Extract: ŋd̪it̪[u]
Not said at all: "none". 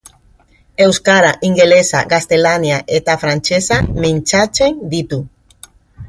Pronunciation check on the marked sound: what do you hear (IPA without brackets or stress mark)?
u